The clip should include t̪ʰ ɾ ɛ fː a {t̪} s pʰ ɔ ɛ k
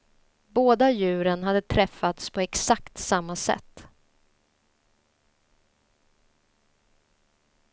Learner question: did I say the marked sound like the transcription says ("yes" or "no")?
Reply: yes